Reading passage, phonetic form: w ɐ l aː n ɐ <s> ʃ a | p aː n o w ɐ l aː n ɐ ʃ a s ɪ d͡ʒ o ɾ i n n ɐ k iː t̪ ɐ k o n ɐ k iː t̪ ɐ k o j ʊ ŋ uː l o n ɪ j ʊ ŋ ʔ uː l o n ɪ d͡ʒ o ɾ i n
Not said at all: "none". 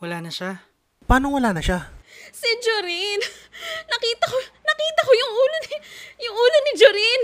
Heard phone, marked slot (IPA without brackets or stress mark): none